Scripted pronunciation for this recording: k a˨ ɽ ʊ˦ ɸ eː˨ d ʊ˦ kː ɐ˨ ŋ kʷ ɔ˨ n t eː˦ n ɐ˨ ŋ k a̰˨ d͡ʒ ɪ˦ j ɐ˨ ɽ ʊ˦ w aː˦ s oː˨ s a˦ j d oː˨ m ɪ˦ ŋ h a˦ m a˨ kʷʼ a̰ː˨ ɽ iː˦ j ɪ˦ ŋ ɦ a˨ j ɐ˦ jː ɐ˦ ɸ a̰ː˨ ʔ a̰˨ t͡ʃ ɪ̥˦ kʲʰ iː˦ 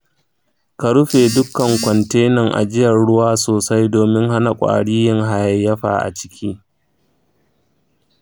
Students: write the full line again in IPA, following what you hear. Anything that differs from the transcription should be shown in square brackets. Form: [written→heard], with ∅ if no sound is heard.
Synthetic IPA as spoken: k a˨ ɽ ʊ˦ ɸ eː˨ d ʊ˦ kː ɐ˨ ŋ kʷ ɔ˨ n t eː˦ n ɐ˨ ŋ [k→ʔ] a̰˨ d͡ʒ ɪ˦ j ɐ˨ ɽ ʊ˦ w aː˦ s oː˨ s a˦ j d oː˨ m ɪ˦ ŋ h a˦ [m→n] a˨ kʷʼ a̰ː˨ ɽ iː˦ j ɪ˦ ŋ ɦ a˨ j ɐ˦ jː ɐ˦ ɸ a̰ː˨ ʔ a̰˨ t͡ʃ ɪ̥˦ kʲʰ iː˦